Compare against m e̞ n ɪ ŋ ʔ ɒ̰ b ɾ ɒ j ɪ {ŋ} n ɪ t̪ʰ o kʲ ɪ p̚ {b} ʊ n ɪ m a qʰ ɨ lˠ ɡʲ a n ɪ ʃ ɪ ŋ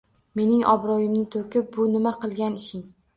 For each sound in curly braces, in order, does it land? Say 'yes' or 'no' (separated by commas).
no, yes